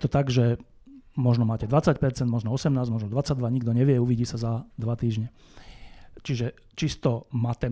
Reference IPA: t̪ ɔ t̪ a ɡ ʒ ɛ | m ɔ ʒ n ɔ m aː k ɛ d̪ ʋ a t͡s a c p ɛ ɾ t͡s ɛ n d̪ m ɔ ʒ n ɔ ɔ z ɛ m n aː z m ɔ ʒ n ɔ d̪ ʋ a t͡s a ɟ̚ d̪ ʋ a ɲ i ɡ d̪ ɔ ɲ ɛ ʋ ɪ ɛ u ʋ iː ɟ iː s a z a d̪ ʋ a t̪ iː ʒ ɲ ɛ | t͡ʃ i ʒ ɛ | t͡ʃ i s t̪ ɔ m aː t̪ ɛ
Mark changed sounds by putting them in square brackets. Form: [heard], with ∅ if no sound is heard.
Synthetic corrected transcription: t̪ ɔ t̪ a ɡ ʒ ɛ | m ɔ ʒ n ɔ m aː [c] ɛ d̪ ʋ a t͡s a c p ɛ ɾ t͡s ɛ n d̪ m ɔ ʒ n ɔ ɔ [s] ɛ m n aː z m ɔ ʒ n ɔ d̪ ʋ a t͡s a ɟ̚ d̪ ʋ a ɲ i ɡ d̪ ɔ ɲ ɛ ʋ ɪ ɛ u ʋ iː ɟ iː s a z a d̪ ʋ a t̪ iː ʒ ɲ ɛ | t͡ʃ i ʒ ɛ | t͡ʃ i s t̪ ɔ m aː t̪ ɛ